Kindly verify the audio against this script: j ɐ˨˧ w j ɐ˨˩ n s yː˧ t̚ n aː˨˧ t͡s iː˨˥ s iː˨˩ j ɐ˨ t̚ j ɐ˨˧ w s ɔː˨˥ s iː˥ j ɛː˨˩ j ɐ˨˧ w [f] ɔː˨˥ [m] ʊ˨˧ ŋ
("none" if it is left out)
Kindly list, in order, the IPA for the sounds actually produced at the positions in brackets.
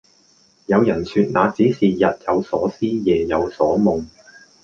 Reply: s, m

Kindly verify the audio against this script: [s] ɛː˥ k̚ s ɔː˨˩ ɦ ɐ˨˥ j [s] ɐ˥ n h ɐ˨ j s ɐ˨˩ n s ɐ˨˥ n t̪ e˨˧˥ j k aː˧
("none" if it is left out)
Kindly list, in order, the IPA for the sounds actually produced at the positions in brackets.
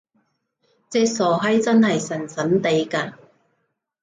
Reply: t͡s, t͡s

